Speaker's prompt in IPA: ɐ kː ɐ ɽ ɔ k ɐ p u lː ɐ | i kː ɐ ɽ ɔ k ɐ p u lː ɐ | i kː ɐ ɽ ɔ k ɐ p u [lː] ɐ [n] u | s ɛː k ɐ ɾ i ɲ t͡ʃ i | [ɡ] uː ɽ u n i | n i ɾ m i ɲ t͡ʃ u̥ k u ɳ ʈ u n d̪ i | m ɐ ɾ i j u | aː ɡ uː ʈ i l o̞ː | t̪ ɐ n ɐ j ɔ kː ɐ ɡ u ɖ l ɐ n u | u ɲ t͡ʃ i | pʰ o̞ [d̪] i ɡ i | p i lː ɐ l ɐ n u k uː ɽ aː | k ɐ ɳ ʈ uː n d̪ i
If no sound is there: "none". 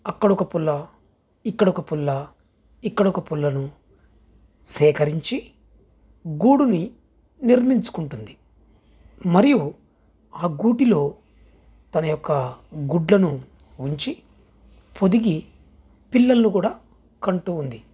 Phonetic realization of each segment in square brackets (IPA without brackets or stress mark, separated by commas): lː, n, ɡ, d̪